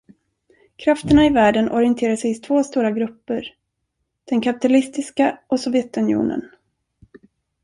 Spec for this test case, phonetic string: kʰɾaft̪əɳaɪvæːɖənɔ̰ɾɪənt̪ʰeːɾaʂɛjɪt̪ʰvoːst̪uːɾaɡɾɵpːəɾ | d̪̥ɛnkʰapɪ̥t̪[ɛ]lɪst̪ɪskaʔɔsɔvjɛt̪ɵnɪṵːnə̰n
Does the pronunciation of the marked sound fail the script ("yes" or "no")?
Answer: yes